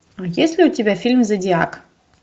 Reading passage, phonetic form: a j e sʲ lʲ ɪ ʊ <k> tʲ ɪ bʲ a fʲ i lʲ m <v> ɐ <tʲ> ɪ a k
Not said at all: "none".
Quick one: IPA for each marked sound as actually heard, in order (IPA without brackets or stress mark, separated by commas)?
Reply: none, z, dʲ